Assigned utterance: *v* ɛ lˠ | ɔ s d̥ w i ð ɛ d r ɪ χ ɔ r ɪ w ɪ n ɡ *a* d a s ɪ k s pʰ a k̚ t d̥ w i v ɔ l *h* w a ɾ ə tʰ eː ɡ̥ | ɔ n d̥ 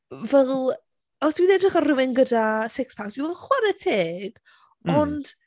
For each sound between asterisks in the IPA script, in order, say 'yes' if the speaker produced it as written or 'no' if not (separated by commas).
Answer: yes, no, no